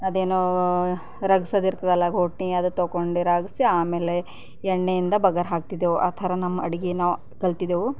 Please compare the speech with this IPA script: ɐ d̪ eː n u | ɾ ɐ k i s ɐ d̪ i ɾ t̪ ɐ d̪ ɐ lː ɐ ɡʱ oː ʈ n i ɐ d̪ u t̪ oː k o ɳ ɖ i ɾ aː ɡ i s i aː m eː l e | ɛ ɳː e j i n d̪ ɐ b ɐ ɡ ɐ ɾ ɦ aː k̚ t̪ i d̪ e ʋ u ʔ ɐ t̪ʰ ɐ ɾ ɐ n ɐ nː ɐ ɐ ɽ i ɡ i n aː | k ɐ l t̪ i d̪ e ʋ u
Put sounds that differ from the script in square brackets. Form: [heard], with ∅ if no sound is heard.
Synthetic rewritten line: ɐ d̪ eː n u | ɾ ɐ [ɡ] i s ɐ d̪ i ɾ t̪ ɐ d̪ ɐ lː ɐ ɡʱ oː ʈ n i ɐ d̪ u t̪ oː k o ɳ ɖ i ɾ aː ɡ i s i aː m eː l e | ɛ ɳː e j i n d̪ ɐ b ɐ ɡ ɐ ɾ ɦ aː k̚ t̪ i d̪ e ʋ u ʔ ɐ t̪ʰ ɐ ɾ ɐ n ɐ [mː] ɐ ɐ ɽ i ɡ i n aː | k ɐ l t̪ i d̪ e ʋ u

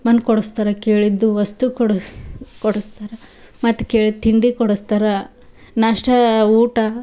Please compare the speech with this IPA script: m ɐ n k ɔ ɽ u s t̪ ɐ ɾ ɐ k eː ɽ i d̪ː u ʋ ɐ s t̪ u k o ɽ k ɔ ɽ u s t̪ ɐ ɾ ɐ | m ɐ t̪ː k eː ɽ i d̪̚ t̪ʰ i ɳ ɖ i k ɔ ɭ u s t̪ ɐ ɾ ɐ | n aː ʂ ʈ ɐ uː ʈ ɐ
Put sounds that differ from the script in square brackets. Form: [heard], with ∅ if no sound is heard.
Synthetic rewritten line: m ɐ n k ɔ ɽ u s t̪ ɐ ɾ ɐ k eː [ɭ] i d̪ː u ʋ ɐ s t̪ u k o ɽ k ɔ ɽ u s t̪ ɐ ɾ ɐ | m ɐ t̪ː k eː [ɭ] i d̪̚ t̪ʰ i ɳ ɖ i k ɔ [ɽ] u s t̪ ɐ ɾ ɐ | n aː ʂ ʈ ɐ uː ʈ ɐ

